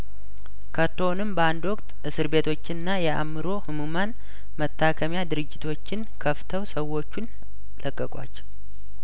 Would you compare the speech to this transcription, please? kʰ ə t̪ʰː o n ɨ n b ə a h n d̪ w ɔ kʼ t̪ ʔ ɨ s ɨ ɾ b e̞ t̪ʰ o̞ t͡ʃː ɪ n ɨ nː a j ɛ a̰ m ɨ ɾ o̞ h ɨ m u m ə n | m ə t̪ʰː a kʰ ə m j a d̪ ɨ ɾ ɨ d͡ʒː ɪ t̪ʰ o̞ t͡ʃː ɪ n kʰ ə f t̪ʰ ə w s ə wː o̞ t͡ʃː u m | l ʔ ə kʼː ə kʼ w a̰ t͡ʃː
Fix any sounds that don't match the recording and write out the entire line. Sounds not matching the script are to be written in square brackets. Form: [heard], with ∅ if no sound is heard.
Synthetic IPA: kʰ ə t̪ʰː o n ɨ [m] b ə a [∅] n d̪ w ɔ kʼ t̪ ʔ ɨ s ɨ ɾ b e̞ t̪ʰ o̞ t͡ʃː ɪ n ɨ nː a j ɛ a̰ m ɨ ɾ o̞ h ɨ m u m [a] n | m ə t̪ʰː a kʰ ə m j a d̪ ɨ ɾ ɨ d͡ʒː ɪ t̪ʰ o̞ t͡ʃː ɪ n kʰ ə f t̪ʰ ə w s ə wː o̞ t͡ʃː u [n] | l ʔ ə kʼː ə kʼ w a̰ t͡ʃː